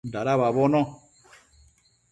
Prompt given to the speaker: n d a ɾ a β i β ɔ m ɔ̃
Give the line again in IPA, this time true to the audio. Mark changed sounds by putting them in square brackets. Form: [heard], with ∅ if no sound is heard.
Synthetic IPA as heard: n d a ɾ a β [a] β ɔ [n] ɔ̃